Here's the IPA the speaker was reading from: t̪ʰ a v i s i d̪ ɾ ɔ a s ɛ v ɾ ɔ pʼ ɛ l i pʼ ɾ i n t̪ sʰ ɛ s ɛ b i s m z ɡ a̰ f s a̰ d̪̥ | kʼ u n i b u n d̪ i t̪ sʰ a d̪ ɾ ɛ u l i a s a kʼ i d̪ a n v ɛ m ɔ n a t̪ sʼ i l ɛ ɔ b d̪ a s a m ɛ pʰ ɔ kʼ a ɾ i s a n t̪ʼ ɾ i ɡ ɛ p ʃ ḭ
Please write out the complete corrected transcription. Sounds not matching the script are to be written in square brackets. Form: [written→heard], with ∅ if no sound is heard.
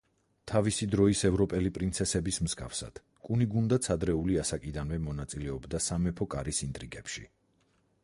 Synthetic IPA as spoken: t̪ʰ a v i s i d̪ ɾ ɔ [a→i] s ɛ v ɾ ɔ pʼ ɛ l i pʼ ɾ i n t̪ sʰ ɛ s ɛ b i s m z ɡ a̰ f s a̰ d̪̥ | kʼ u n i [b→ɡ] u n d̪ [i→a] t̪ sʰ a d̪ ɾ ɛ u l i a s a kʼ i d̪ a n v ɛ m ɔ n a t̪ sʼ i l ɛ ɔ b d̪ a s a m ɛ pʰ ɔ kʼ a ɾ i s [a→i] n t̪ʼ ɾ i ɡ ɛ p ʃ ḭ